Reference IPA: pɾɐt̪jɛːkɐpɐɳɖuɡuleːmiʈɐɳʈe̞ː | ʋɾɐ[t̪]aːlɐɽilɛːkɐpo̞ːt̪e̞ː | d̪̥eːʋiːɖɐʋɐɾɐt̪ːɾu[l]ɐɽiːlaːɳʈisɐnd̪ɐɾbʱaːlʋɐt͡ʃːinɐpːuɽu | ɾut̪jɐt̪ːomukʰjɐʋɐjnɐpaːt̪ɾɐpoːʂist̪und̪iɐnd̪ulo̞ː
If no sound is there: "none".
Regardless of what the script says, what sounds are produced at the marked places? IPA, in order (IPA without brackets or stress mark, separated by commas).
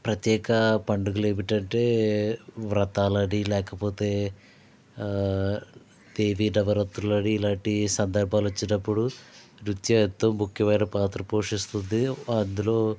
t̪, l